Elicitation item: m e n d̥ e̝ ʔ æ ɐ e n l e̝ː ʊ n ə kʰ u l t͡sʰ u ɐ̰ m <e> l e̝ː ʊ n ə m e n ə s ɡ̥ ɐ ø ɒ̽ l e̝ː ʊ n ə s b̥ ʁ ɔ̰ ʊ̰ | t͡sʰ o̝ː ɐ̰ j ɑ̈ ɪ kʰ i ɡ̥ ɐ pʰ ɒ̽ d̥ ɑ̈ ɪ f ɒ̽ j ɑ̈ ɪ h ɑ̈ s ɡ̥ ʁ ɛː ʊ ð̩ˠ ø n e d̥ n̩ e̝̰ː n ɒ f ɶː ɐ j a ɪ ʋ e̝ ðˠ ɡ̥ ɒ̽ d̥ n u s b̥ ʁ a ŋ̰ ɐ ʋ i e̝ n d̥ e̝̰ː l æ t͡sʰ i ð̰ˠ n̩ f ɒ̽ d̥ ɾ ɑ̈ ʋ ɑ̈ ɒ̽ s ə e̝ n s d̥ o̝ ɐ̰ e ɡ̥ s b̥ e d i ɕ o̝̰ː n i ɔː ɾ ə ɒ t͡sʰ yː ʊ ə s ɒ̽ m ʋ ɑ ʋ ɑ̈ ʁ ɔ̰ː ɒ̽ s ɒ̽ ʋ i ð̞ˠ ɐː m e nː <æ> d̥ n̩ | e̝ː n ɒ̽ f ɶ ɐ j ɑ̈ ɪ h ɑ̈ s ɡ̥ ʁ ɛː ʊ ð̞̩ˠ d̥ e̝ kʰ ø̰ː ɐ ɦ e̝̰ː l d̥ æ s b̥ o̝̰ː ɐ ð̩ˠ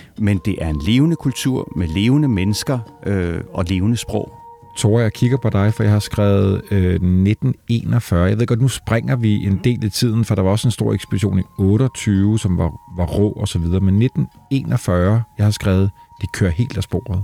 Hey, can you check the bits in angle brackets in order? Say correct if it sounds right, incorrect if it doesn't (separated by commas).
correct, incorrect